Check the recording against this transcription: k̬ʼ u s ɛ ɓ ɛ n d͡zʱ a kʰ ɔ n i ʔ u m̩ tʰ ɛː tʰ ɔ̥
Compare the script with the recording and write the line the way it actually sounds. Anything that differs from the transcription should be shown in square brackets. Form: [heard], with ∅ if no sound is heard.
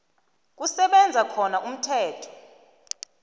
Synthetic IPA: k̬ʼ u s ɛ ɓ ɛ n d͡zʱ a kʰ ɔ n [a] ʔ u m̩ tʰ ɛː tʰ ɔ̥